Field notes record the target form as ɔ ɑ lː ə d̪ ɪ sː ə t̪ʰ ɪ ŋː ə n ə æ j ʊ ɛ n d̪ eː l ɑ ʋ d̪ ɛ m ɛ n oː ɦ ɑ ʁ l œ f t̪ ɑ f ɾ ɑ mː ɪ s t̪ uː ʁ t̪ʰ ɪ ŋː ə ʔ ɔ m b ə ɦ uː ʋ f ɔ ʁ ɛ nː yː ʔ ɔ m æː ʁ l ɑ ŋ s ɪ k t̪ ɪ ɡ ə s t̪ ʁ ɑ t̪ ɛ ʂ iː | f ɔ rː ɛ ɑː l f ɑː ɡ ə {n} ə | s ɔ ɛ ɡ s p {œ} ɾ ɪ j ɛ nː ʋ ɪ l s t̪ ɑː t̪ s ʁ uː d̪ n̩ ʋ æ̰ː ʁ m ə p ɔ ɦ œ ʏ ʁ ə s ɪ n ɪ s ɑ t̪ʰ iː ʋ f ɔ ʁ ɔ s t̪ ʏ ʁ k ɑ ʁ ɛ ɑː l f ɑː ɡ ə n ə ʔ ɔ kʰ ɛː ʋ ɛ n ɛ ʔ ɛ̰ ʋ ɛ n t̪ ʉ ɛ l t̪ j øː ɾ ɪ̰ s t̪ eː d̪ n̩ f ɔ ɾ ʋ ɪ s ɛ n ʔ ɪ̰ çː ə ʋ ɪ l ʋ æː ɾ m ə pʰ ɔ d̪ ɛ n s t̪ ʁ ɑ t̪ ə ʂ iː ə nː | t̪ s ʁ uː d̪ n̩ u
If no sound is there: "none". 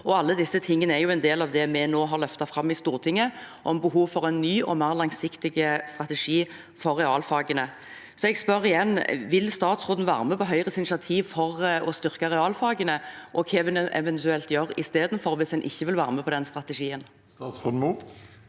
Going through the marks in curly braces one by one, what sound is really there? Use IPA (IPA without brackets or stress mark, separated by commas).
n, œ